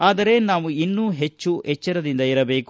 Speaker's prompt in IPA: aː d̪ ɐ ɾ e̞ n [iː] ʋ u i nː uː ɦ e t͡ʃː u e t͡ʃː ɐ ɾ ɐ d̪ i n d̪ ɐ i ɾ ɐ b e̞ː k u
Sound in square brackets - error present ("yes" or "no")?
yes